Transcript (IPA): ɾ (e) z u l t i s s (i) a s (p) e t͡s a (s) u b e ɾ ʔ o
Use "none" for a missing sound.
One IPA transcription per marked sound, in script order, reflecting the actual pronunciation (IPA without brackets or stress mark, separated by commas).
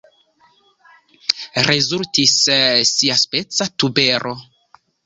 e, i, p, t